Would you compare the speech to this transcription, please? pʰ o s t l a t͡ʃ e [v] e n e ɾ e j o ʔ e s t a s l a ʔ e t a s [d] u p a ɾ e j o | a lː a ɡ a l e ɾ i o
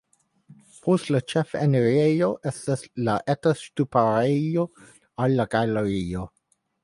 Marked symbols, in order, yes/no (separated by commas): no, no